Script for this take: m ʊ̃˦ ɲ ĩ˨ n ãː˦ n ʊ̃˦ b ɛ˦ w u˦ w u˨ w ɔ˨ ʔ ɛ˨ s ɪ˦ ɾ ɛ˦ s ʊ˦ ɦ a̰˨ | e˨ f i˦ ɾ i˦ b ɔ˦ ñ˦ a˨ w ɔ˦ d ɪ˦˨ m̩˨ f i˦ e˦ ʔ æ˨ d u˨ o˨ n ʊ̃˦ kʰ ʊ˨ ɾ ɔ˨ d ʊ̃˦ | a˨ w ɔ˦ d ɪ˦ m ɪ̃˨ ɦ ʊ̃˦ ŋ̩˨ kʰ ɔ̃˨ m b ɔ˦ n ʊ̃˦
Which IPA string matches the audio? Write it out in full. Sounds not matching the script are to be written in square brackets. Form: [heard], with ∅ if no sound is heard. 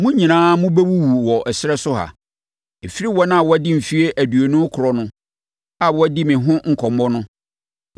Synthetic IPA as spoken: m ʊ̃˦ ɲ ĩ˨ n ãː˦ [m] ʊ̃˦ b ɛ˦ w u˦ w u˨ w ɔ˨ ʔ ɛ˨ s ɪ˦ ɾ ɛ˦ s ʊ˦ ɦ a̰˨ | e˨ f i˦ ɾ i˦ [w] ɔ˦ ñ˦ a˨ w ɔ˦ d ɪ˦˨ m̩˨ f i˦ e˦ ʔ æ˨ d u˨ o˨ n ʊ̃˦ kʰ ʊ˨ ɾ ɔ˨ [n] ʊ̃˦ | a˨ w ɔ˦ d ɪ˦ m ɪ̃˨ ɦ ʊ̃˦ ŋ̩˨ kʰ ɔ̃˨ m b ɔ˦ n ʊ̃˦

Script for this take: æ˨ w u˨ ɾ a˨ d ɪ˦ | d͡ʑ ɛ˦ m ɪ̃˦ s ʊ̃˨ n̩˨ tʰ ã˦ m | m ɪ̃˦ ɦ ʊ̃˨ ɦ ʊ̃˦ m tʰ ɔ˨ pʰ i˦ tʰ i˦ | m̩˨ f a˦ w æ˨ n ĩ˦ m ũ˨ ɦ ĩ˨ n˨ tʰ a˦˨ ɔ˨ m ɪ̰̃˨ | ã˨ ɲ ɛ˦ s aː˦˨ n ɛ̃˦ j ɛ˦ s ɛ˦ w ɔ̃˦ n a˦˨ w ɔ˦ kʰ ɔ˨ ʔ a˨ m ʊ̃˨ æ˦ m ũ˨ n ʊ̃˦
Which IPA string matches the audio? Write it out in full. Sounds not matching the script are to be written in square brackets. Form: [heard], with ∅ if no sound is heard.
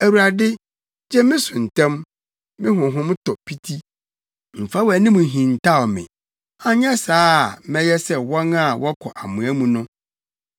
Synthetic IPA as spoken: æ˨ w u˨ ɾ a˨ d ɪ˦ | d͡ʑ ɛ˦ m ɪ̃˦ s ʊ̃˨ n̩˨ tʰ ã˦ m | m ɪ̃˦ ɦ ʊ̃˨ ɦ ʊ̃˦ m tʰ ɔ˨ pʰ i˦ tʰ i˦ | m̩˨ f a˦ w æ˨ n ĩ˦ m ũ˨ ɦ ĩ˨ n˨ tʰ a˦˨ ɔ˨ m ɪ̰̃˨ | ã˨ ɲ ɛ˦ s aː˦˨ [m] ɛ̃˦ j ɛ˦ s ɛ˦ w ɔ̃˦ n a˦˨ w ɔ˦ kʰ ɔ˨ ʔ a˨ m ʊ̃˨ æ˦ m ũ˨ n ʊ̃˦

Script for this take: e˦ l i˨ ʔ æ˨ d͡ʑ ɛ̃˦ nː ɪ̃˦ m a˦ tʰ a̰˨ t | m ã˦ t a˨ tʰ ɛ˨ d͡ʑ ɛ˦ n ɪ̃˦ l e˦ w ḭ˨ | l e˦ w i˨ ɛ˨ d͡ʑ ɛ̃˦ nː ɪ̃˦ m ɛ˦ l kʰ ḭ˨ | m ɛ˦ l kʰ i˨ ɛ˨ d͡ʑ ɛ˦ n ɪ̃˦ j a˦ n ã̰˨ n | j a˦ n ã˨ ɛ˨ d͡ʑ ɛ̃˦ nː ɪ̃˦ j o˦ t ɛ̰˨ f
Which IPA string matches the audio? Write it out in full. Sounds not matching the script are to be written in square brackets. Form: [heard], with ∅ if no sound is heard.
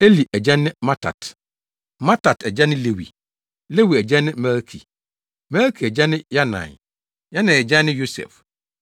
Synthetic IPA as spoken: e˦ l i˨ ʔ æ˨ d͡ʑ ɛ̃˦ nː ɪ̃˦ m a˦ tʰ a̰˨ t | m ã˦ t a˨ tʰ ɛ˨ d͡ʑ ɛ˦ n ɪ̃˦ l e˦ w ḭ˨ | l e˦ w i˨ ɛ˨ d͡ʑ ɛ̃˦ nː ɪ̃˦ m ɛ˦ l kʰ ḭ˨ | m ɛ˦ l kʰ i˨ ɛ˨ d͡ʑ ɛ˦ n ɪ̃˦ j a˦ n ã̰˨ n | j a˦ n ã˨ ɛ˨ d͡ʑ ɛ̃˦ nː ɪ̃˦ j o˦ [s] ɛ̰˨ f

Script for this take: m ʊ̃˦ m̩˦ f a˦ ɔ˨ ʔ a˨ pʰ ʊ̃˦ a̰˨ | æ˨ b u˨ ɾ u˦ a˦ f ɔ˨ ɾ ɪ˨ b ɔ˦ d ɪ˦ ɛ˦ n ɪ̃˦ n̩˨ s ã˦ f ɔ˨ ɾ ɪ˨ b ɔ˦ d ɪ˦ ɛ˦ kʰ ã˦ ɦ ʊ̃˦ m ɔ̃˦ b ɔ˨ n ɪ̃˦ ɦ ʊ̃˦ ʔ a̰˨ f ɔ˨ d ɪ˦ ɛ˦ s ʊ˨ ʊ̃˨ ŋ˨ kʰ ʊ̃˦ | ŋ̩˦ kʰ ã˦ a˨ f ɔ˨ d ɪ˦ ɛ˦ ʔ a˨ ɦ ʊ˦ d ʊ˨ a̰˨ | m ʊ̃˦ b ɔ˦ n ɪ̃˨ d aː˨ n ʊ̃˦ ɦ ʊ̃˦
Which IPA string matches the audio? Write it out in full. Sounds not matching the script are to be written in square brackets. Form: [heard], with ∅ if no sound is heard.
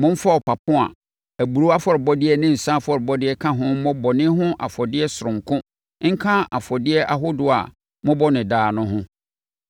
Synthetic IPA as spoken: m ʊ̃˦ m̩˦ f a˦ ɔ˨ [p] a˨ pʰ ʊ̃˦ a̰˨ | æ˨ b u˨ ɾ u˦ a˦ f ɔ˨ ɾ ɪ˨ b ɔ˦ d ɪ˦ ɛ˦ n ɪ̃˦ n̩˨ s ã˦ f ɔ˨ ɾ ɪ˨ b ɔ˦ d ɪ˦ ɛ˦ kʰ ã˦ ɦ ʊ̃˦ m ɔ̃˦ b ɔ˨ n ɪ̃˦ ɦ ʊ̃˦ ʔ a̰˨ f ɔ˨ d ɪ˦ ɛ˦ s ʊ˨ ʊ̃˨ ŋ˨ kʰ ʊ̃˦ | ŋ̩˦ kʰ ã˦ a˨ f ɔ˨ d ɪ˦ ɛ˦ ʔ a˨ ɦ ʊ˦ d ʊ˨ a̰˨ | m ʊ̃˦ b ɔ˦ n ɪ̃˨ d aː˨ n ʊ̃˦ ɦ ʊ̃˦

